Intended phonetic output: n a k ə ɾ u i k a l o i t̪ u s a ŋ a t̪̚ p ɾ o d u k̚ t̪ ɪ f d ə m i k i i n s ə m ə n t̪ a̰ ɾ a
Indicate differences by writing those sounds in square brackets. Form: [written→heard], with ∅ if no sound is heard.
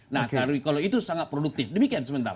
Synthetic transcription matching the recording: n a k [ə→a] ɾ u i k a l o i t̪ u s a ŋ a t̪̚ p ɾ o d u k̚ t̪ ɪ f d ə m i k i [i→a] n s ə m ə n t̪ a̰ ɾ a